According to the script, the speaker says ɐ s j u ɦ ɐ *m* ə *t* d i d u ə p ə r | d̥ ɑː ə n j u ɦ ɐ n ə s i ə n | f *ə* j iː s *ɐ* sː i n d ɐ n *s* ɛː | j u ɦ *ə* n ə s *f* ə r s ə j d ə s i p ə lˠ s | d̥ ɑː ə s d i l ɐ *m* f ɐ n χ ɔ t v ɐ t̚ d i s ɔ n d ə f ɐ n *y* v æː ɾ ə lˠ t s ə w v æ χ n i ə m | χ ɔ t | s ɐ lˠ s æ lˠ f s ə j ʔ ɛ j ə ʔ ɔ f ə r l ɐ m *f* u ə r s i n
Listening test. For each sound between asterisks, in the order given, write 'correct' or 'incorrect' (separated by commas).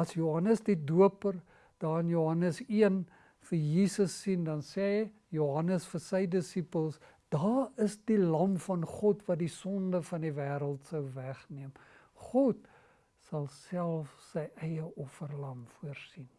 incorrect, incorrect, correct, incorrect, correct, incorrect, correct, correct, incorrect, correct